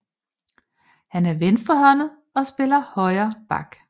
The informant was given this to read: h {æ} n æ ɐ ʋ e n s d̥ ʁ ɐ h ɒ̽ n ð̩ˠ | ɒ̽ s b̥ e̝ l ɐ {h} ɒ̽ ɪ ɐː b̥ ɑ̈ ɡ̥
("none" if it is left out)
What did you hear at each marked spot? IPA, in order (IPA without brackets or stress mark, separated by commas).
æ, h